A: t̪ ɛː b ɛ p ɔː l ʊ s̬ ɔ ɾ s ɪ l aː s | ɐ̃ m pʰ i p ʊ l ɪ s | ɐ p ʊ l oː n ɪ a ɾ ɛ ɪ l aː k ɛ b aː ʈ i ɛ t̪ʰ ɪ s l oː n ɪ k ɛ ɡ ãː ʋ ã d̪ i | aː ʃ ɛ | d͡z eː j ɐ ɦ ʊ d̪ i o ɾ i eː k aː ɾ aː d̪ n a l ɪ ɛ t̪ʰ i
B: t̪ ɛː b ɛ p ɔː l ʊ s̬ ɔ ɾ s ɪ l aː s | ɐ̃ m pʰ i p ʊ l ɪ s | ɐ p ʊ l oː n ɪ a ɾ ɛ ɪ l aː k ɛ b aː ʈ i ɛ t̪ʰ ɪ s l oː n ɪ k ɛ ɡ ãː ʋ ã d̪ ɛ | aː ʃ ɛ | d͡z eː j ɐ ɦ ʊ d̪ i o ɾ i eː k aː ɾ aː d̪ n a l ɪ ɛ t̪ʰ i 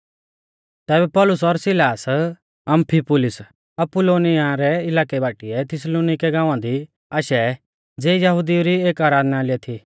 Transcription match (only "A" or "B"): A